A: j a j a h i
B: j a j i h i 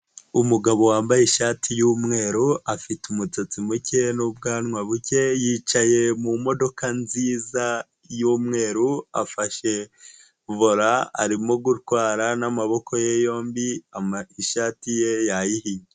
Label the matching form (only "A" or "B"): B